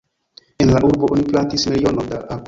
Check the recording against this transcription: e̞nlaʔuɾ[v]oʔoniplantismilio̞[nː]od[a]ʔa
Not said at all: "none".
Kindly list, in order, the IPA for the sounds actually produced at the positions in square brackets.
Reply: b, n, a

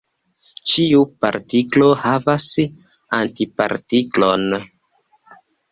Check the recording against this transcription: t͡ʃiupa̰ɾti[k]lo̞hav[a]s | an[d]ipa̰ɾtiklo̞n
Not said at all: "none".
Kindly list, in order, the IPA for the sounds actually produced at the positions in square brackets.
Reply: k, a, t

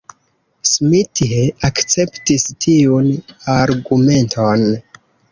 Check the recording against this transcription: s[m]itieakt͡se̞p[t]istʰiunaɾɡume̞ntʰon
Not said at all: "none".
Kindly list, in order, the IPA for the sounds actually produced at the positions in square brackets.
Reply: m, t

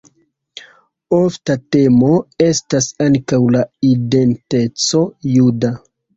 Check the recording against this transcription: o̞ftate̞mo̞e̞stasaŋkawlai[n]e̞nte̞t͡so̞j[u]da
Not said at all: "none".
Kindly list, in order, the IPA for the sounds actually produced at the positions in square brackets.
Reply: d, u

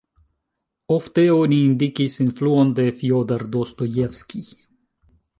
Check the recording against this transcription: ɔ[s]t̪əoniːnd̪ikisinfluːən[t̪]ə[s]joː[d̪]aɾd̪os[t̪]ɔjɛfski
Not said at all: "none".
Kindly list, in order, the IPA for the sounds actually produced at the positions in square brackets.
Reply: f, d̪, f, d̪, t̪

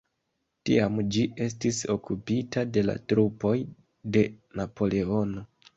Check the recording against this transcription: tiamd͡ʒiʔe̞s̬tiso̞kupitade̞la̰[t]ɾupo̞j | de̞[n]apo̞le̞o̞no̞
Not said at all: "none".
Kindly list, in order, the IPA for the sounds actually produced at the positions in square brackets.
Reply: t, n

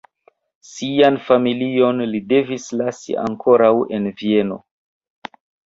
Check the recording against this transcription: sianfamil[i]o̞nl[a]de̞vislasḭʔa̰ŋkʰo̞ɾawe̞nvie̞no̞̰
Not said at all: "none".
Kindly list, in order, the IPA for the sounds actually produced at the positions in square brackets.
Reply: i, i

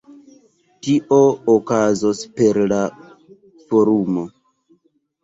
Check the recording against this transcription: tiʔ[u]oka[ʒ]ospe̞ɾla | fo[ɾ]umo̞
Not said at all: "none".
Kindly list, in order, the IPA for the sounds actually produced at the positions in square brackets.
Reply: o, z, ɾ

